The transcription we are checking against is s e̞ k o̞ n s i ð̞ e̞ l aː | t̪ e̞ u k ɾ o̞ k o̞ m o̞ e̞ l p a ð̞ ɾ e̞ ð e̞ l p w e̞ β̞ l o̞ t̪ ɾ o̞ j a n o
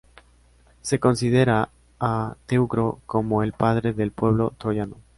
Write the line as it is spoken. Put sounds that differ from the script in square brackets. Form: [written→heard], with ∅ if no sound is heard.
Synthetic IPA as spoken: s e̞ k o̞ n s i ð̞ e̞ [l→ɾ] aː | t̪ e̞ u k ɾ o̞ k o̞ m o̞ e̞ l p a ð̞ ɾ e̞ ð e̞ l p w e̞ β̞ l o̞ t̪ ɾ o̞ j a n o